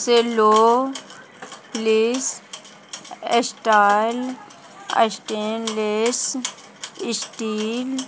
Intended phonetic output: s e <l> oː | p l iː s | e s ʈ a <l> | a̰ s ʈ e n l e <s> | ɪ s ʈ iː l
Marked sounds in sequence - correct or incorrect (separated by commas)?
correct, correct, correct